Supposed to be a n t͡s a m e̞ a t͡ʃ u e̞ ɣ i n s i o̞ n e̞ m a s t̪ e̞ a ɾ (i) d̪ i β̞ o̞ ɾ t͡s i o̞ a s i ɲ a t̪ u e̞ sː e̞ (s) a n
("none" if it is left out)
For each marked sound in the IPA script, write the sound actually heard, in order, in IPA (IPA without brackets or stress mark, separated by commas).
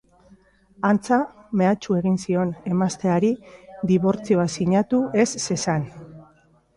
i, s